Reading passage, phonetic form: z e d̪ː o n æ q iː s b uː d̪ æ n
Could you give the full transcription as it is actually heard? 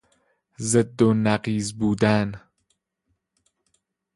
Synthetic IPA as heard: z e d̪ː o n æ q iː z b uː d̪ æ n